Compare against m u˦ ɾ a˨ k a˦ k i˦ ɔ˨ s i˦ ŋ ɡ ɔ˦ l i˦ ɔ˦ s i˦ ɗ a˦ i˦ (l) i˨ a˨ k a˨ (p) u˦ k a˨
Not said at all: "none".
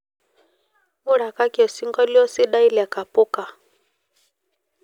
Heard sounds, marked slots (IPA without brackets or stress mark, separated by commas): l, p